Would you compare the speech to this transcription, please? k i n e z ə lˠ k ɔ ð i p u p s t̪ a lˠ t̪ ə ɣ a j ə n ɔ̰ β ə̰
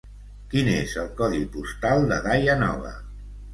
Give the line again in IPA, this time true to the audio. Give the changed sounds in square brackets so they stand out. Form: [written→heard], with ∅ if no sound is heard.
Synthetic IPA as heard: k i n e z ə lˠ k ɔ ð i p u [p→∅] s t̪ a lˠ [t̪→d̪] ə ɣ a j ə n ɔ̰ β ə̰